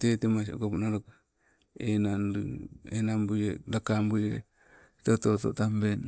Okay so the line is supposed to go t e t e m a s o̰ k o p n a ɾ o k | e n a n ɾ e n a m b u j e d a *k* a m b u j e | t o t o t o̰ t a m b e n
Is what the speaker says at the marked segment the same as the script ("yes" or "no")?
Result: yes